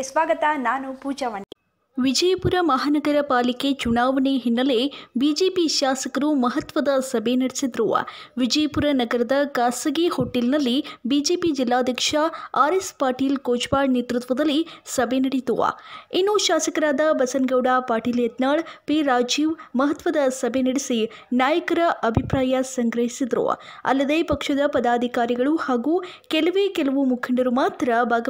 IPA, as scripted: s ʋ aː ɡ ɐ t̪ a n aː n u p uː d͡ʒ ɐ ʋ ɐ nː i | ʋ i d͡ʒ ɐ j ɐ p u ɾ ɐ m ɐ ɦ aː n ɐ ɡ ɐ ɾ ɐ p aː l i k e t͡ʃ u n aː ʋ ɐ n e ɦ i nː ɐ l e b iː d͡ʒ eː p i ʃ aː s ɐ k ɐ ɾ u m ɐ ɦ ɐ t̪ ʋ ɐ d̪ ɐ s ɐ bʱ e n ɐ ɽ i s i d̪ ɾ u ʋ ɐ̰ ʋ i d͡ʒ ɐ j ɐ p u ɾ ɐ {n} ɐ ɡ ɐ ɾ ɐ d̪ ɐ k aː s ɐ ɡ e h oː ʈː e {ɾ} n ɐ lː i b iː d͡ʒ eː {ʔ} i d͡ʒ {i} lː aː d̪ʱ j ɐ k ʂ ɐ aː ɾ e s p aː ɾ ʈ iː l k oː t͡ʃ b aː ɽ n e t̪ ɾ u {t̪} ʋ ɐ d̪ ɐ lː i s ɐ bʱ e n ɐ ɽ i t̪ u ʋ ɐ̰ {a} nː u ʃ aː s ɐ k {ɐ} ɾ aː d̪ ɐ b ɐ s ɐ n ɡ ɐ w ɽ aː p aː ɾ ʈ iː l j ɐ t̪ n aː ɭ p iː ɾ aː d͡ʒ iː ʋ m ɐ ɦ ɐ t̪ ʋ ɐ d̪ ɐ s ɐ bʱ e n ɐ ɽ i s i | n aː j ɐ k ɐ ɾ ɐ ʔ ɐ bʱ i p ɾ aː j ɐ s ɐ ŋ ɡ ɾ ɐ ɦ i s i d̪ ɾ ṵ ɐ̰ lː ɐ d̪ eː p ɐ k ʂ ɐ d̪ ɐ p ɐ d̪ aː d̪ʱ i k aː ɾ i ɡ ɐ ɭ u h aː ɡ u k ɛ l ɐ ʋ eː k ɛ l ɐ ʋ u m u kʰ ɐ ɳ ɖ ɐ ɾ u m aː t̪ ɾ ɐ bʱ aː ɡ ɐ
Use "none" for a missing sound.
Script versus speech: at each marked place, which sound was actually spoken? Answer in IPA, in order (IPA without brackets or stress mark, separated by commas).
n, l, p, i, t̪, i, ɐ